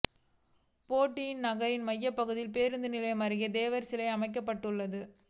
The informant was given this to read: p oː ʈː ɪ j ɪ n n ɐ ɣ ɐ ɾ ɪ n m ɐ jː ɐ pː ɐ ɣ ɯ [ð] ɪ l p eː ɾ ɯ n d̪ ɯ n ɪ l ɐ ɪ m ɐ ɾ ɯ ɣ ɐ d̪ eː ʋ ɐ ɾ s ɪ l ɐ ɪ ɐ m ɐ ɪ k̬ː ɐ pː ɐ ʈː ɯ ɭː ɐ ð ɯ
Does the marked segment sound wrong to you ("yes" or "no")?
no